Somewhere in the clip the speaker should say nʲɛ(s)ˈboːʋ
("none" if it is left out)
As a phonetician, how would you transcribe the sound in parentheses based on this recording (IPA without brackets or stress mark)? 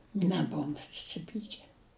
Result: none